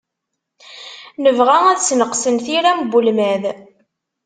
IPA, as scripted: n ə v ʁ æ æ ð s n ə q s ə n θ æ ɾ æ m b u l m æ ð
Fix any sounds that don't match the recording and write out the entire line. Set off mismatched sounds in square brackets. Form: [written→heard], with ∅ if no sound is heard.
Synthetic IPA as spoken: n ə v ʁ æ æ ð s n ə q s ə n θ [æ→i] ɾ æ m b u l m æ ð